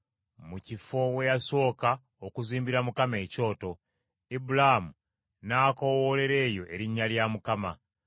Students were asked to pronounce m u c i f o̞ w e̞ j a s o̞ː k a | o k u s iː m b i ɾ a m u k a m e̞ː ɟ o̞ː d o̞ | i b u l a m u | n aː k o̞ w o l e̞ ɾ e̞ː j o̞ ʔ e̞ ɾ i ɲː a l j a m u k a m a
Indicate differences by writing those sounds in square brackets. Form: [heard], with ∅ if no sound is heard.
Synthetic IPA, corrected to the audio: m u c i f o̞ w e̞ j a s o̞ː k a | o k u [z] iː m b i ɾ a m u k a m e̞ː [c] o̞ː [t] o̞ | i b u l a m u | n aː k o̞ w o l e̞ ɾ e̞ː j o̞ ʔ e̞ ɾ i ɲː a l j a m u k a m a

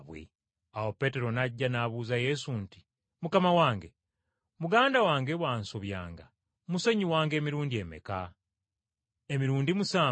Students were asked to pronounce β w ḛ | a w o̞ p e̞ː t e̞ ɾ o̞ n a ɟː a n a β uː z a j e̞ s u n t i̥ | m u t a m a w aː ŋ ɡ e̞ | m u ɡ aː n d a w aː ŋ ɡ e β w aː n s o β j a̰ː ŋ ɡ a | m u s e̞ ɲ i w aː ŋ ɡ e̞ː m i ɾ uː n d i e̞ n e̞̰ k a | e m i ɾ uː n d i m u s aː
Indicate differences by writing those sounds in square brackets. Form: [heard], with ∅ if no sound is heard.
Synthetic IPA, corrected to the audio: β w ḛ | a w o̞ p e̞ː t e̞ ɾ o̞ n a ɟː a n a β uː z a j e̞ s u n t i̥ | m u [k] a m a w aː ŋ ɡ e̞ | m u ɡ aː n d a w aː ŋ ɡ e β w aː n s o β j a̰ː ŋ ɡ a | m u s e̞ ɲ i w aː ŋ ɡ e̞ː m i ɾ uː n d i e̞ [m] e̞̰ k a | e m i ɾ uː n d i m u s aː

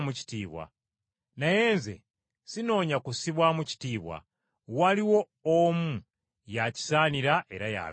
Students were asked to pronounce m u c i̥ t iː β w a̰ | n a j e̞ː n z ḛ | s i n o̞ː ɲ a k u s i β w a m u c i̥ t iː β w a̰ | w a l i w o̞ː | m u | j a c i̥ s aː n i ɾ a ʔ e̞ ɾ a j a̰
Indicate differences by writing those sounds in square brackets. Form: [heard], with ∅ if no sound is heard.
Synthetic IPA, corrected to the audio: m u c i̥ t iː β w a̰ | n a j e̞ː n z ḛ | s i n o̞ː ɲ a k u s i β w a m u c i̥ t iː β w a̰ | w a l i w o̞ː | m u | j a c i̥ s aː n i ɾ a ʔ e̞ ɾ a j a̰

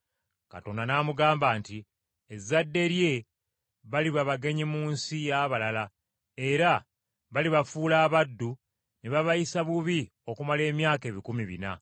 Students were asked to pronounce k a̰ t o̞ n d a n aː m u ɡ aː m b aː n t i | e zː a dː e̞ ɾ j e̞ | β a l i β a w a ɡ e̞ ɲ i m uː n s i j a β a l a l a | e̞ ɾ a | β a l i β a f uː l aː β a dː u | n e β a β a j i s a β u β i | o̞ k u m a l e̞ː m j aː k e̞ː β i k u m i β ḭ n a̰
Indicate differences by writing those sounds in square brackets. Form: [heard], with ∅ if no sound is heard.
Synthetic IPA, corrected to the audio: k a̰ t o̞ n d a n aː m u ɡ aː m b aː n t i | e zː a dː e̞ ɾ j e̞ | β a l i β a [β] a ɡ e̞ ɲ i m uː n s i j a β a l a l a | e̞ ɾ a | β a l i β a f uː l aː β a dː u | n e β a β a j i s a β u β i | o̞ k u m a l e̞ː m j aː k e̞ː β i k u m i β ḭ n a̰

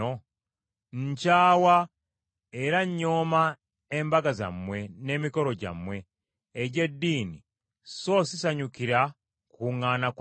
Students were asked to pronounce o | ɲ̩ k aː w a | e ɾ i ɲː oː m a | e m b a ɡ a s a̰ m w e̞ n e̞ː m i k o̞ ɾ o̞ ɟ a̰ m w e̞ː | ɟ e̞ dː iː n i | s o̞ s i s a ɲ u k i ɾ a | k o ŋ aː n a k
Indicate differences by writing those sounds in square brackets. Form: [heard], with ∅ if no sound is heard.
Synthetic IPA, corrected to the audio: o | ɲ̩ [c] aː w a | e ɾ [a] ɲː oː m a | e m b a ɡ a [z] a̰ m w e̞ n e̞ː m i k o̞ ɾ o̞ ɟ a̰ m w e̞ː | ɟ e̞ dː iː n i | s o̞ s i s a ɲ u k i ɾ a | k [u] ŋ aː n a k

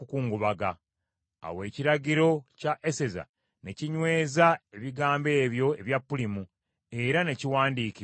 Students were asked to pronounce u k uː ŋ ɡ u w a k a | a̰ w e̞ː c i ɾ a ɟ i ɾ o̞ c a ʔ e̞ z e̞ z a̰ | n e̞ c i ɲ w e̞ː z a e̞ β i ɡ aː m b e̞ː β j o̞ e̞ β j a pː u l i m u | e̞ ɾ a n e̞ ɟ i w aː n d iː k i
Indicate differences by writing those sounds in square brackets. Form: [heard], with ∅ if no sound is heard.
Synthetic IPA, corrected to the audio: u k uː ŋ ɡ u [β] a [ɡ] a | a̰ w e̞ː c i ɾ a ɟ i ɾ o̞ c a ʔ e̞ [s] e̞ z a̰ | n e̞ c i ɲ w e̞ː z a e̞ β i ɡ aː m b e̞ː β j o̞ e̞ β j a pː u l i m u | e̞ ɾ a n e̞ [c] i w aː n d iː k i

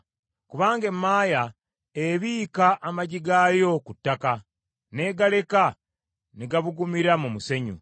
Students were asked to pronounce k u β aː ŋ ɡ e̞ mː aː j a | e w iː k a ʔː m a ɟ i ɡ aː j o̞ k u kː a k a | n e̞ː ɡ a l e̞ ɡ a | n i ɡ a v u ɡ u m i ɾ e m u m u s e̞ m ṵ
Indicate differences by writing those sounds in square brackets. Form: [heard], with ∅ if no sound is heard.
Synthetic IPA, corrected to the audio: k u β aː ŋ ɡ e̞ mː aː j a | e [β] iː k a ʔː m a ɟ i ɡ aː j o̞ k u [tː] a k a | n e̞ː ɡ a l e̞ [k] a | n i ɡ a [β] u ɡ u m i ɾ [a] m u m u s e̞ [ɲ] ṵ

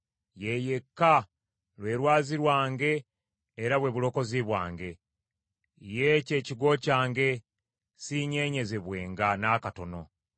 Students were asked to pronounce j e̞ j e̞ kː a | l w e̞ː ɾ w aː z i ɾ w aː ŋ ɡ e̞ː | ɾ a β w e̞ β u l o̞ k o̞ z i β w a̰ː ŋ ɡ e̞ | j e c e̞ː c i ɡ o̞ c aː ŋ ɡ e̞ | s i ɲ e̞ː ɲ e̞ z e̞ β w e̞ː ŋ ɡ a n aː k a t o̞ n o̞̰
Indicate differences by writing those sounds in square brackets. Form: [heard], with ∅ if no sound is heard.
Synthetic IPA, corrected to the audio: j e̞ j e̞ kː a | l w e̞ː ɾ w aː z i ɾ w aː ŋ ɡ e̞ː | ɾ a β w e̞ β u l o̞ k o̞ z i β w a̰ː ŋ ɡ e̞ | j e c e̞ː c i ɡ o̞ c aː ŋ ɡ e̞ | s i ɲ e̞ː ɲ e̞ z e̞ β w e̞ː ŋ ɡ a n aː k a t o̞ n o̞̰

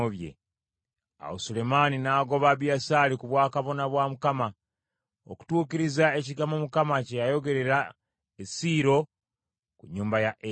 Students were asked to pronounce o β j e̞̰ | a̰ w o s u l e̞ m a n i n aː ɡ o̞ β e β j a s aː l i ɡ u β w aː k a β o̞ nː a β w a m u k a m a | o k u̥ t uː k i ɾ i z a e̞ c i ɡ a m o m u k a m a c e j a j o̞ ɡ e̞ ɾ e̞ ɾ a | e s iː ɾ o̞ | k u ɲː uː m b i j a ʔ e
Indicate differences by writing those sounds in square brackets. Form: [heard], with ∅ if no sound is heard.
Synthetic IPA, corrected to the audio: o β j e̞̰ | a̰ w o s u l e̞ m a n i n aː ɡ o̞ β [a] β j a s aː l i [k] u β w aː k a β o̞ [n] a β w a m u k a m a | o k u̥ t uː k i ɾ i z a e̞ c i ɡ a m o m u k a m a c e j a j o̞ ɡ e̞ ɾ e̞ ɾ a | e s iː ɾ o̞ | k u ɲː uː m b [a] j a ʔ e

